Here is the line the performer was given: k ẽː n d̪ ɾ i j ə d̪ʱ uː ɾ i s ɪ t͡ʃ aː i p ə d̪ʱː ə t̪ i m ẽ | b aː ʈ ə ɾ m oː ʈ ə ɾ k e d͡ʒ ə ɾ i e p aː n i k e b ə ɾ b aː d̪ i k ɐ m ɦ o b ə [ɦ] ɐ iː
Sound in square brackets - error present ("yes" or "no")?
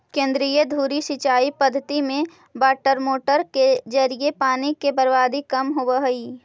no